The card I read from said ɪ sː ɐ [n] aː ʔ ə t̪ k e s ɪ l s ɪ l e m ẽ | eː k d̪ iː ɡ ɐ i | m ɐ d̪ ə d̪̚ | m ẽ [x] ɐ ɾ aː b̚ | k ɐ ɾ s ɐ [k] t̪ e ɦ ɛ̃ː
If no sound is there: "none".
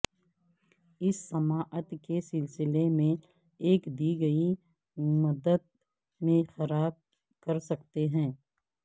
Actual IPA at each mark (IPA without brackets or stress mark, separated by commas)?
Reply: m, x, k